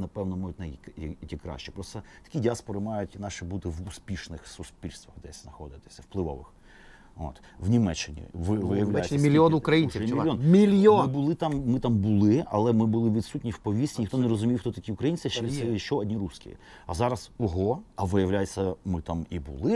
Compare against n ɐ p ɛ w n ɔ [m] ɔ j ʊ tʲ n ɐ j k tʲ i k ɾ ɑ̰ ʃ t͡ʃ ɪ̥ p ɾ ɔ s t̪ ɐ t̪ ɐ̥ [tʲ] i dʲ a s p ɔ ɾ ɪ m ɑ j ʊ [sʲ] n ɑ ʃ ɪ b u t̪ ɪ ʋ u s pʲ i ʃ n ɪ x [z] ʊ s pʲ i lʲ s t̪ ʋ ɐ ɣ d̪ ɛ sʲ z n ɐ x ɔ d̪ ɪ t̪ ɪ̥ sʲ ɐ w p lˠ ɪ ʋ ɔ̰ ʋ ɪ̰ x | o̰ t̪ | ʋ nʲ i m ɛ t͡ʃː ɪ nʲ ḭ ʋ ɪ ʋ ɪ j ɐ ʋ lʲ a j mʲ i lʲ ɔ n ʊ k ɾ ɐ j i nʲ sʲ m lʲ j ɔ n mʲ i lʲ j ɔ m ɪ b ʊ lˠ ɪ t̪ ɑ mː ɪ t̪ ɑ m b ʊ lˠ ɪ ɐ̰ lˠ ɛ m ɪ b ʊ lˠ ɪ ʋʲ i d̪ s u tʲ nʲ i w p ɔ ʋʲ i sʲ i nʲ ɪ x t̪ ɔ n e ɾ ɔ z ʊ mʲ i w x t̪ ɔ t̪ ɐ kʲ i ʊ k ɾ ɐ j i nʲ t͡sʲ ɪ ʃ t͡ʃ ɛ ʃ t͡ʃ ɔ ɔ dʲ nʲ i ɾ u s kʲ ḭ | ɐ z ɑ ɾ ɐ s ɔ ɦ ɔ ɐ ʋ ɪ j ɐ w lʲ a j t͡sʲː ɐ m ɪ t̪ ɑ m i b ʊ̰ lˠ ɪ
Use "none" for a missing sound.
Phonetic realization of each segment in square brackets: m, kʲ, tʲ, s

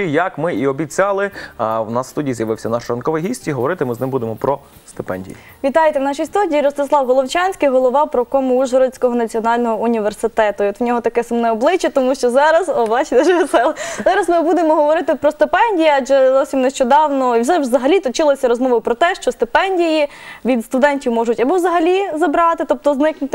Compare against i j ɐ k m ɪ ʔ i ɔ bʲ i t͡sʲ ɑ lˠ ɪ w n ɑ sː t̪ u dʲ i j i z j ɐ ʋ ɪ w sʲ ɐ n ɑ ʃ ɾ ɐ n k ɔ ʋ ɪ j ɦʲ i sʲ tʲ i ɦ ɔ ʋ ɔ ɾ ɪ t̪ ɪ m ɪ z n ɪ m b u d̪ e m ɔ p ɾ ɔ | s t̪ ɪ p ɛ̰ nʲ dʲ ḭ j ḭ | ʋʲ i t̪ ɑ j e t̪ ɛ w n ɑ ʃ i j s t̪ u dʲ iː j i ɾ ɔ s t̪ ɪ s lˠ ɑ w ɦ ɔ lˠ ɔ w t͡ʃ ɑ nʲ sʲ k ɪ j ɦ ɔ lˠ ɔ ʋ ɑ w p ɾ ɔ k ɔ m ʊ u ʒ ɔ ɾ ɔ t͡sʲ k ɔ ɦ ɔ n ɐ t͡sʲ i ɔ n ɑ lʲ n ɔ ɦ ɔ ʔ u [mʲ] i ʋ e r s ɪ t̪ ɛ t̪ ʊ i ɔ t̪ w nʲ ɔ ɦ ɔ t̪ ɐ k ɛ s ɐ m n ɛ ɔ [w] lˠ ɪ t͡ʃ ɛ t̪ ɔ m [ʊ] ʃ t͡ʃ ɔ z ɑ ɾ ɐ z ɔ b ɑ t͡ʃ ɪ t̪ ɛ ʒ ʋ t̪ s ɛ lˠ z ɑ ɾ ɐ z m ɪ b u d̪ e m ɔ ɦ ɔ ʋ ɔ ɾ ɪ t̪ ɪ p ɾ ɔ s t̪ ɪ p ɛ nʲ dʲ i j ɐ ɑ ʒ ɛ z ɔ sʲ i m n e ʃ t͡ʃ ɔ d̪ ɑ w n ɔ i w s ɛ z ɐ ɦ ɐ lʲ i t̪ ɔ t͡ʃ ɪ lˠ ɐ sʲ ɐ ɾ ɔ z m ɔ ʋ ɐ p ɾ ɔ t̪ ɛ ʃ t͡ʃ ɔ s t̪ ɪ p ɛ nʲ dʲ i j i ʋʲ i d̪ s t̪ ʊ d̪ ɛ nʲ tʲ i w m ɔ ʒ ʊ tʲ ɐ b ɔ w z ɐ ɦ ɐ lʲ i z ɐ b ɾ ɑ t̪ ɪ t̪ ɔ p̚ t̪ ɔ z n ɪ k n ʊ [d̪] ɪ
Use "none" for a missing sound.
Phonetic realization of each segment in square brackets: nʲ, b, u, t̪

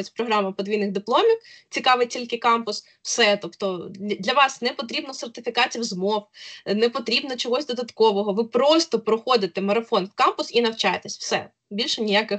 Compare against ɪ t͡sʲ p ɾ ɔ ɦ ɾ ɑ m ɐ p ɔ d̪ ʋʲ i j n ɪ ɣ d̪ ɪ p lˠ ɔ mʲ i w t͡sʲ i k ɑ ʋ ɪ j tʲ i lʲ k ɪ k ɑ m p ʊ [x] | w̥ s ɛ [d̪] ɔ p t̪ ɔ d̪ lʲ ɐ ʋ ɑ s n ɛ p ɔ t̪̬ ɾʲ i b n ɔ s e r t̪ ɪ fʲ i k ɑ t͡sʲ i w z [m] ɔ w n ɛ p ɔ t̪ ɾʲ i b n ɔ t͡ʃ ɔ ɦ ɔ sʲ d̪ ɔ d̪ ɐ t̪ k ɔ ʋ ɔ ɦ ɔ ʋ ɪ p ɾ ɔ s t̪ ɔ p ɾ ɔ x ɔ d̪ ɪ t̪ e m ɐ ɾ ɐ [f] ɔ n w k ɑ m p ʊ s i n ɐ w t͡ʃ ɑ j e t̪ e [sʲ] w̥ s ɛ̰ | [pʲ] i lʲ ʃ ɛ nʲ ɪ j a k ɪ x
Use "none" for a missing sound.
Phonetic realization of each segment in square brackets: s, t̪, m, f, sʲ, bʲ

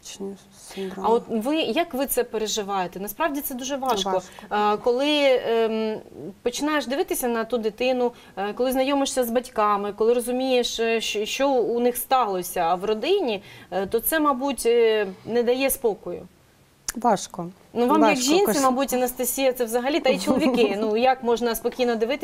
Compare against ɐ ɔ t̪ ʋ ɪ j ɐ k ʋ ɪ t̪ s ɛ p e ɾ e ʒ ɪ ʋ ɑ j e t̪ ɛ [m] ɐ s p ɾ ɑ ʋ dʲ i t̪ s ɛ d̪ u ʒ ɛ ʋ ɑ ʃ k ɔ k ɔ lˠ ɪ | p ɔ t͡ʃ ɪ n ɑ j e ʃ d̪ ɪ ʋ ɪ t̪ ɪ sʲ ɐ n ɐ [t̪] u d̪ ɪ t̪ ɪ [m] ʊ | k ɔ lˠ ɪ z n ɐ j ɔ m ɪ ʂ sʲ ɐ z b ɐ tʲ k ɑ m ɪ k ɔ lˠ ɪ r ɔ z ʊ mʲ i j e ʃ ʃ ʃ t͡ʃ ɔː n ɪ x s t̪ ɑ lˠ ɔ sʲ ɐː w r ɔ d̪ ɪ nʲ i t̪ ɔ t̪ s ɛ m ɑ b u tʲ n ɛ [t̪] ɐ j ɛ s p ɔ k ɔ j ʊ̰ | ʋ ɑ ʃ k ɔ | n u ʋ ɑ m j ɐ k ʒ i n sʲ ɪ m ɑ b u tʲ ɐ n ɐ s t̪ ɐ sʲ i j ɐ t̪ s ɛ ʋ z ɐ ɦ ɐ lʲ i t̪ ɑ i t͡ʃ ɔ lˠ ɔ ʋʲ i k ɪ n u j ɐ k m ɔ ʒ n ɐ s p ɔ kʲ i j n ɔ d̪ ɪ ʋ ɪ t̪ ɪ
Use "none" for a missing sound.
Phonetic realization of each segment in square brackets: n, t̪, n, d̪

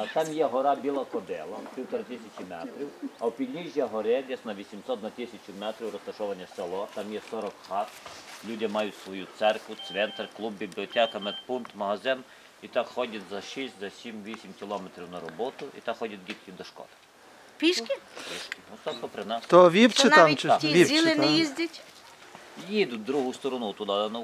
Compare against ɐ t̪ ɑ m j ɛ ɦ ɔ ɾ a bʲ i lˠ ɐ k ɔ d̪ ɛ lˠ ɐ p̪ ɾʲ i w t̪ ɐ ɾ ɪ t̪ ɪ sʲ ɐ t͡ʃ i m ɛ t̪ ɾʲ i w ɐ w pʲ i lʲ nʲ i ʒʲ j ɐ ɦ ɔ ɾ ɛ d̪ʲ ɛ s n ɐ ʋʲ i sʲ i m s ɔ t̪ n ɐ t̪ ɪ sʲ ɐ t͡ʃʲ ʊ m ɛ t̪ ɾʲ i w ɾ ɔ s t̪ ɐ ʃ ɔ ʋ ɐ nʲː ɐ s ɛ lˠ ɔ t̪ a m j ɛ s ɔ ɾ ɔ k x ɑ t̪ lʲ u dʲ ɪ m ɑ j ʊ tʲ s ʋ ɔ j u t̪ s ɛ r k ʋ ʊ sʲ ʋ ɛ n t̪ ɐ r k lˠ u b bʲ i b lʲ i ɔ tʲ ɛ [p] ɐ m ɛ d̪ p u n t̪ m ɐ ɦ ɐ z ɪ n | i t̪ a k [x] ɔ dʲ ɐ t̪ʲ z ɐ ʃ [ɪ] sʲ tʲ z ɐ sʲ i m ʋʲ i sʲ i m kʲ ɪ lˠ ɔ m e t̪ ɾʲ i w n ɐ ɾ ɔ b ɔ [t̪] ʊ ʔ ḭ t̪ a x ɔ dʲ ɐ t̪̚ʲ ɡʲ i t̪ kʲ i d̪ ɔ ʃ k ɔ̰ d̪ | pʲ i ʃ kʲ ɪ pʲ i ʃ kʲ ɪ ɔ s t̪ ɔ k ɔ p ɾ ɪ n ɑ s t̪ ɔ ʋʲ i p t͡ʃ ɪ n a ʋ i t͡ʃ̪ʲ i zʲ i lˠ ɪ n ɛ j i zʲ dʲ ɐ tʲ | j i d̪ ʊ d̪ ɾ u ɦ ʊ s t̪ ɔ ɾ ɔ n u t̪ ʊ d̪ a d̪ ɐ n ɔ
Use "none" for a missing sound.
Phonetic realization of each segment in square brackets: k, x, i, t̪

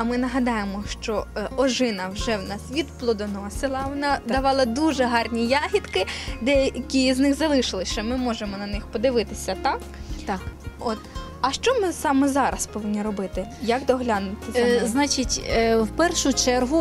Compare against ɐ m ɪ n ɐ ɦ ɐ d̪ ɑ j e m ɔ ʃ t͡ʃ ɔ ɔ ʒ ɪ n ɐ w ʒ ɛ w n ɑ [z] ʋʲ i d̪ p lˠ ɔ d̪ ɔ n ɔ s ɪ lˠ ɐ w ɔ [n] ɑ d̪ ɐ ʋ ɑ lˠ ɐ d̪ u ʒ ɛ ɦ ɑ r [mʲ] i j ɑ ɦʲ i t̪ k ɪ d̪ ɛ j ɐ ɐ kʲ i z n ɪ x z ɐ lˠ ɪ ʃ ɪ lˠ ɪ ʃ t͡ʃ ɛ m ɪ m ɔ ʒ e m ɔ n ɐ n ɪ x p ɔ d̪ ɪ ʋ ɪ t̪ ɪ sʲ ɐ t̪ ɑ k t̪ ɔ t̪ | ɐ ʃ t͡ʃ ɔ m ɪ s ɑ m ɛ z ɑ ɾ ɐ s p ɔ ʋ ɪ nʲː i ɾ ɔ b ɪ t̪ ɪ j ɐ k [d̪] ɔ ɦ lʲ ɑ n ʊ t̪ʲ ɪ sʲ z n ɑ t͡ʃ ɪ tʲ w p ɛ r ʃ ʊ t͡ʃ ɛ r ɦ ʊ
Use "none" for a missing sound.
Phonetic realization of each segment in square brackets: s, n, nʲ, d̪

